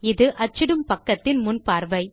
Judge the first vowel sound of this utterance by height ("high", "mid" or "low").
high